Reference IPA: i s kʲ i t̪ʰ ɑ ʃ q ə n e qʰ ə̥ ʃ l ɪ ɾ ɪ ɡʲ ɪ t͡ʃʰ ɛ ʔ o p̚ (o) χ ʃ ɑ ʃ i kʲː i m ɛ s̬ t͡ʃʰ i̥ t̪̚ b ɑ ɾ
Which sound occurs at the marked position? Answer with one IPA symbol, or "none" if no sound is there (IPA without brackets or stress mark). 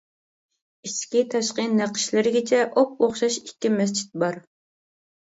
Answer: o